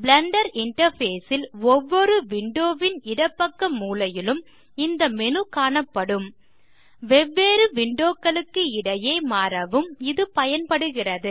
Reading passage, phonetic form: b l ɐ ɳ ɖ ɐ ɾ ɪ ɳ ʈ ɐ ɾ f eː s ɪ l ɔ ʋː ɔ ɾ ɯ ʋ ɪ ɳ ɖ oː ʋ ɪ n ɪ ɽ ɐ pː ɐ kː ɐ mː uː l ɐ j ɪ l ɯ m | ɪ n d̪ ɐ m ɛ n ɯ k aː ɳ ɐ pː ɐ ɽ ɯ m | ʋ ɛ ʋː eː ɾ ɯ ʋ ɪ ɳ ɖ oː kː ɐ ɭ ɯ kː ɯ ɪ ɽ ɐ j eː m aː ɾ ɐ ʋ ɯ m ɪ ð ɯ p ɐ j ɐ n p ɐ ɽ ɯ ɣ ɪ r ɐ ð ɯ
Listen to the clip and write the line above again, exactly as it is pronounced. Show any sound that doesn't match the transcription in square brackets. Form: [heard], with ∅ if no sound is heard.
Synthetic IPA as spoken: b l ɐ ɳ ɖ ɐ ɾ ɪ ɳ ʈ ɐ ɾ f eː s ɪ l ɔ ʋː ɔ ɾ ɯ ʋ ɪ ɳ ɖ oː ʋ ɪ n ɪ ɽ ɐ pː ɐ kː ɐ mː uː l ɐ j ɪ l ɯ m | ɪ n d̪ ɐ m ɛ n ɯ k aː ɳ ɐ pː ɐ ɽ ɯ m | ʋ ɛ ʋː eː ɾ ɯ ʋ ɪ ɳ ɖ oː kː ɐ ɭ ɯ kː ɯ ɪ ɽ ɐ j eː m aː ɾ ɐ ʋ ɯ m ɪ ð ɯ p ɐ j ɐ n p ɐ ɽ ɯ ɣ ɪ r ɐ ð ɯ